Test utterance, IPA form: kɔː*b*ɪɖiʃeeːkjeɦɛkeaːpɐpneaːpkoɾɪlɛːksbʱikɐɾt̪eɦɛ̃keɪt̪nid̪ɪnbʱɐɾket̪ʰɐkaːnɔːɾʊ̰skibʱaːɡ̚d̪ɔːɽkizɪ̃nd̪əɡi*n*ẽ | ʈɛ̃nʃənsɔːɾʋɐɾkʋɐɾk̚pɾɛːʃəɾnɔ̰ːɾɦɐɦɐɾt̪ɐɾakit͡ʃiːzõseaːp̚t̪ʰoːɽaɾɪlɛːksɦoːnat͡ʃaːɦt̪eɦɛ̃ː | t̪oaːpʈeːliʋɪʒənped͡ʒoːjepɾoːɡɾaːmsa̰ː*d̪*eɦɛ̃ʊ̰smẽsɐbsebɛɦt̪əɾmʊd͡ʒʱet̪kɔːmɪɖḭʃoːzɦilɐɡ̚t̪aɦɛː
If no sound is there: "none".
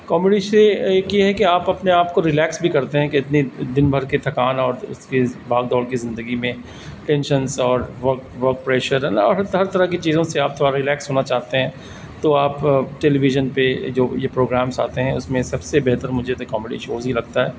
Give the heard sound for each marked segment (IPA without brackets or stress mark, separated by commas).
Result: m, m, t̪